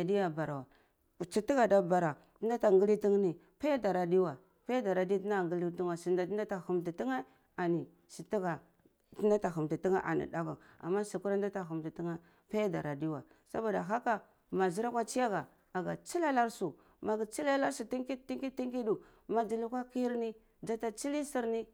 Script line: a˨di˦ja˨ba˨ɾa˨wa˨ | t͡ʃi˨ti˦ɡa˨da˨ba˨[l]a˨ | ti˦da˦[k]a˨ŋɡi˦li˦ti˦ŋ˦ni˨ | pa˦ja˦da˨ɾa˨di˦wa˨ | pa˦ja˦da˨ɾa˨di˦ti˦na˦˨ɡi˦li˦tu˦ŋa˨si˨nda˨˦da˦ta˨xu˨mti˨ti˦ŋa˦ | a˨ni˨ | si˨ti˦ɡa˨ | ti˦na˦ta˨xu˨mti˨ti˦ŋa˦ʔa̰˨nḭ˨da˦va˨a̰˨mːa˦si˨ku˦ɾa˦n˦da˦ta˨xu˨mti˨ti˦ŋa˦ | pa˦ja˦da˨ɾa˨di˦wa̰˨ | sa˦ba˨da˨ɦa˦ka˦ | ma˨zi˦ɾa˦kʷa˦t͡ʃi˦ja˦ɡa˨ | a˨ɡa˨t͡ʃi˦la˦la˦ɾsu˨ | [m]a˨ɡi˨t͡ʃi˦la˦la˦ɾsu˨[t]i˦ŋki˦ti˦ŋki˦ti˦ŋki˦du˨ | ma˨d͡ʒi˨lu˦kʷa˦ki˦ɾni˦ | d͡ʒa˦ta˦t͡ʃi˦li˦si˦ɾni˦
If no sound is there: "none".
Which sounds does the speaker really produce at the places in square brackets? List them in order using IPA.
ɾ, t, m, t

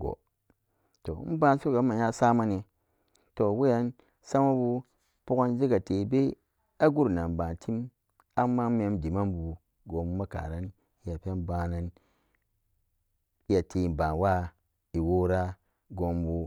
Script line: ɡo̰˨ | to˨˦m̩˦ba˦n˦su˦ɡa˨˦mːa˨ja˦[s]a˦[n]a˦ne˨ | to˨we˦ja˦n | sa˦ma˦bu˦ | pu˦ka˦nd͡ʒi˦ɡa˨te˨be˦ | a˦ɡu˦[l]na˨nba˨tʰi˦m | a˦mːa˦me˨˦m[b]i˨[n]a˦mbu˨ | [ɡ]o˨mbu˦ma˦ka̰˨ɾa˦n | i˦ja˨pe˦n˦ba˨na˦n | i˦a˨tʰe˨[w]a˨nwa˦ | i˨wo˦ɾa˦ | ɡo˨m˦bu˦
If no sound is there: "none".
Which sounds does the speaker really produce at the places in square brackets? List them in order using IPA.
s, m, ɾ, d, m, ɡ, b

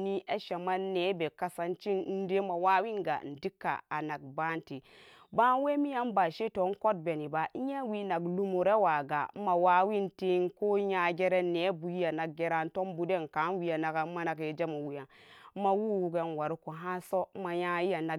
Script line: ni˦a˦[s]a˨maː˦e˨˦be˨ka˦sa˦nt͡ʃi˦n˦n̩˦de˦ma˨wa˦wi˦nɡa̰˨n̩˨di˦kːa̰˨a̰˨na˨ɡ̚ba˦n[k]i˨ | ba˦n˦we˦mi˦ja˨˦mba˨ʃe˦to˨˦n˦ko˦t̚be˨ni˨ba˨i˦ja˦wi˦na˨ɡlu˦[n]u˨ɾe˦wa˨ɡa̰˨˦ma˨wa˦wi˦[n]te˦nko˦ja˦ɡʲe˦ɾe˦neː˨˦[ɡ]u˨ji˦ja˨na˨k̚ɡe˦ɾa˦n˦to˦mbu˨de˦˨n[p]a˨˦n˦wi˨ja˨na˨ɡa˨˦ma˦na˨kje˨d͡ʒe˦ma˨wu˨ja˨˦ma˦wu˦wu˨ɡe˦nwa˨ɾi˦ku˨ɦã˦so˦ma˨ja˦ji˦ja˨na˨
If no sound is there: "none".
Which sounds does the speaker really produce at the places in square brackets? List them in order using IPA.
ʃ, t, m, n, b, k

